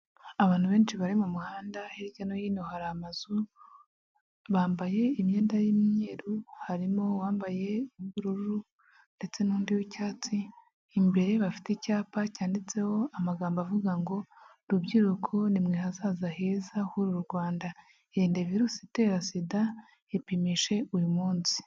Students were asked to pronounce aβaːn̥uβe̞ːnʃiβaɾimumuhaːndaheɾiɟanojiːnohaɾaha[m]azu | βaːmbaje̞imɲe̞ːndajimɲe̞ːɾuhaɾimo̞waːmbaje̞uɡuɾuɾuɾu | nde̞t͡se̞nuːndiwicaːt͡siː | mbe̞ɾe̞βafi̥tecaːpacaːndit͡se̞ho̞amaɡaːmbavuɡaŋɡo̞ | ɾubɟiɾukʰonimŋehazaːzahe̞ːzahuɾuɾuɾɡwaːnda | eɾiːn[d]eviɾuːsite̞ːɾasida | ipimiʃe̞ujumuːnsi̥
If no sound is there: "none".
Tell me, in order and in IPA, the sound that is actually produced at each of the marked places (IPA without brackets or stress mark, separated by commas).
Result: m, d